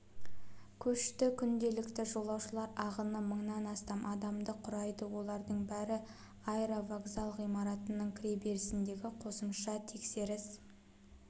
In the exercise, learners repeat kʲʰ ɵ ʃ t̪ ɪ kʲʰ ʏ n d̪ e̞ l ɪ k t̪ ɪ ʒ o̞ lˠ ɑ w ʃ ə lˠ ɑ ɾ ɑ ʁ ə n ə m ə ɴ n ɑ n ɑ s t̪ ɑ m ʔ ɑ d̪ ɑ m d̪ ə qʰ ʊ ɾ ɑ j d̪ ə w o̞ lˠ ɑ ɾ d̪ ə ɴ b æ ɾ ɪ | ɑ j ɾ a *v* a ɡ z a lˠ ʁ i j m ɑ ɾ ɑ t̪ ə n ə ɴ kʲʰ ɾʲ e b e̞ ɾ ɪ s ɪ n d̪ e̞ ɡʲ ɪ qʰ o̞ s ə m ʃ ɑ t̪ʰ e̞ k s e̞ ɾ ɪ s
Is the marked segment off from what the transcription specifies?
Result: no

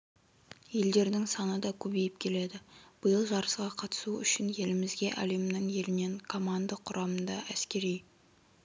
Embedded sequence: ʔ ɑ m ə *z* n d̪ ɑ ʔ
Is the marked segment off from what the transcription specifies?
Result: yes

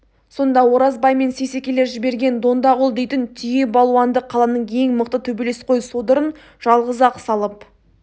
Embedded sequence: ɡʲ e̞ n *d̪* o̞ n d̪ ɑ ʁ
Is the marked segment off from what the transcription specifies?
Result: no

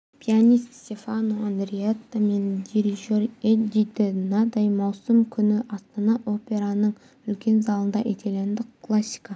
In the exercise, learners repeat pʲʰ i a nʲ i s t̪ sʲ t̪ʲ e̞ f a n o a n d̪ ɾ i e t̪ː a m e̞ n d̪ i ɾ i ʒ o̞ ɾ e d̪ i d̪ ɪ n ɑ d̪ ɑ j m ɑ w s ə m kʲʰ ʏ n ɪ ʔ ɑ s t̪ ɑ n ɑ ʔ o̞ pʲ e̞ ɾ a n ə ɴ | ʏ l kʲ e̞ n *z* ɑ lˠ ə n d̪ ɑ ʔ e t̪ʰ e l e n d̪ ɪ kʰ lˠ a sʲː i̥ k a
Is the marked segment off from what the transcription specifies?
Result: no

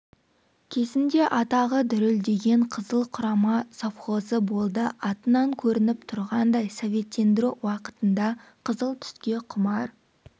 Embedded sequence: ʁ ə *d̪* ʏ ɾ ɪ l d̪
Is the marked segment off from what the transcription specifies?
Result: no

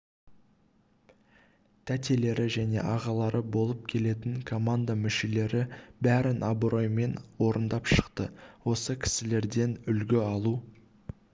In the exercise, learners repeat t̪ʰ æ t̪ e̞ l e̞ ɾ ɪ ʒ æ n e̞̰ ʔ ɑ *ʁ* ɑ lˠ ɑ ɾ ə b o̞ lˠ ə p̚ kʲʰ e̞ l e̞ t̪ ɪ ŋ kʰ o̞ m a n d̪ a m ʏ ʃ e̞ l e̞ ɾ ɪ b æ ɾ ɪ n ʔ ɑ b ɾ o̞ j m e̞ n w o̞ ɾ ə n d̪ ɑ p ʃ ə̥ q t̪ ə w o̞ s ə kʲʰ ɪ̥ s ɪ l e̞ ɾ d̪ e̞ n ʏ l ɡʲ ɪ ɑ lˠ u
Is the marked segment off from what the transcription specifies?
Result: no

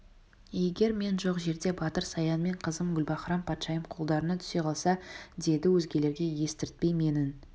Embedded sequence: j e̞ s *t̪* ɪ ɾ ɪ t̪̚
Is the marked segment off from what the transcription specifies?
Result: no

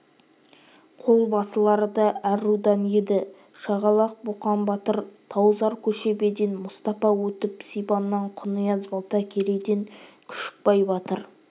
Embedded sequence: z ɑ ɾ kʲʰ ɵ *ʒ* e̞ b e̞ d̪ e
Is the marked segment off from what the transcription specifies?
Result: yes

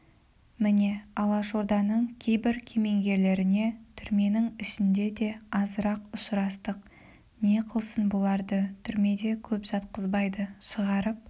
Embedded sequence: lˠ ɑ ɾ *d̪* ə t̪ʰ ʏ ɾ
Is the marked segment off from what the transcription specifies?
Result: no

